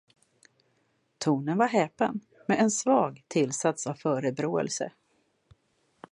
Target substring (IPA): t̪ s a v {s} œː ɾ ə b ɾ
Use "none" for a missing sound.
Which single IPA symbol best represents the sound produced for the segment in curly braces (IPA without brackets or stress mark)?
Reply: f